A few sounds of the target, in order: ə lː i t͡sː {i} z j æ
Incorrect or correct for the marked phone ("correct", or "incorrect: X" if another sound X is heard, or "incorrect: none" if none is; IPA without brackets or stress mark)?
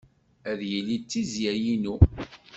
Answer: correct